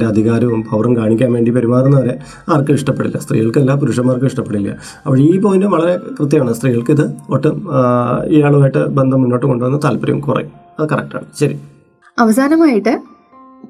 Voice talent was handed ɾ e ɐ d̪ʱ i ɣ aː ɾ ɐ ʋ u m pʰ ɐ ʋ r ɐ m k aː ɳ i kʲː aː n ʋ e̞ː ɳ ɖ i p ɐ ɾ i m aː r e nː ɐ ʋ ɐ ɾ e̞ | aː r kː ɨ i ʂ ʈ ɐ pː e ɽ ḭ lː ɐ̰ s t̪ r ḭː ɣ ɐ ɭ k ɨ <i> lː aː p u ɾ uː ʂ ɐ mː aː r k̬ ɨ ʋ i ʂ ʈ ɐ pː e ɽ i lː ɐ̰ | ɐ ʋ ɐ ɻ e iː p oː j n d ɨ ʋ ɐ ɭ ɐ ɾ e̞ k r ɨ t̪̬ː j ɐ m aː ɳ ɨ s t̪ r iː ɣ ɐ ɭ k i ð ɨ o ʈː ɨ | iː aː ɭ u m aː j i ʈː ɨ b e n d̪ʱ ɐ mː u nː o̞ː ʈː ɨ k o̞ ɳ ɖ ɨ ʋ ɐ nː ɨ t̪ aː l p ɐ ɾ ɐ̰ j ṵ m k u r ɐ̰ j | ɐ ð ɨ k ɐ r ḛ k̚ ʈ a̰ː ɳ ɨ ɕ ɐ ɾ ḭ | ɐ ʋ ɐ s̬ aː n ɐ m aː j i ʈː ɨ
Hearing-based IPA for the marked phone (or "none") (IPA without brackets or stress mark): e